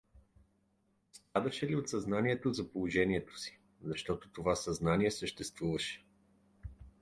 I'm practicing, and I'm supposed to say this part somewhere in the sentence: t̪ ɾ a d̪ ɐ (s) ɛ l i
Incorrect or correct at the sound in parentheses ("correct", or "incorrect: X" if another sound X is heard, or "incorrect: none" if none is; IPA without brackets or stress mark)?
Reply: incorrect: ʃ